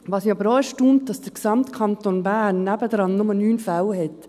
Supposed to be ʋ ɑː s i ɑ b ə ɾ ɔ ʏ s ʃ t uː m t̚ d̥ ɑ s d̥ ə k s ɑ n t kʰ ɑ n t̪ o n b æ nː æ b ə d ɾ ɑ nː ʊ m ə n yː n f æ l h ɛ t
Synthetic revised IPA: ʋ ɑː s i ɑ b ə ɾ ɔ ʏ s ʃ t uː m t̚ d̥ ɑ s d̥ ə k s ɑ m t kʰ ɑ n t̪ o n b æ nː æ b ə d ɾ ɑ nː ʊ m ə n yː n f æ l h ɛ t